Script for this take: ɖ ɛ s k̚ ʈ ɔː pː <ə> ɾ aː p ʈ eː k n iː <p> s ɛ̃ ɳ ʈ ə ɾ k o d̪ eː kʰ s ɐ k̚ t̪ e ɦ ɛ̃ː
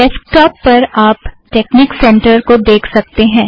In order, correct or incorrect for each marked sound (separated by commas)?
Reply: incorrect, incorrect